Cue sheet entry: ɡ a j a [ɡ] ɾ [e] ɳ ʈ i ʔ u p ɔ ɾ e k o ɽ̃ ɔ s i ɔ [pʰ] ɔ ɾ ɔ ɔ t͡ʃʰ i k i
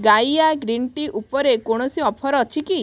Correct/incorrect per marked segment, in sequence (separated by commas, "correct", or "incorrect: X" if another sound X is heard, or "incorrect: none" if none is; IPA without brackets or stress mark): correct, incorrect: i, correct